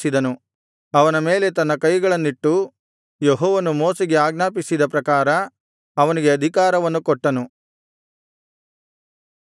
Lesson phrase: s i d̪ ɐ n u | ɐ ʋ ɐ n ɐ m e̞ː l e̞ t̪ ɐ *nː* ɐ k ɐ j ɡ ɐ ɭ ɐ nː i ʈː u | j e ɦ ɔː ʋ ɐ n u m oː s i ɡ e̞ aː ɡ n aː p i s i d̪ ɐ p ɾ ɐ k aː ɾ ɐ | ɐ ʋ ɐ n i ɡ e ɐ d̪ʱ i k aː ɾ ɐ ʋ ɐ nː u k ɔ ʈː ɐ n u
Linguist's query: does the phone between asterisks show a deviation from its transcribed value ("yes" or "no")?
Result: no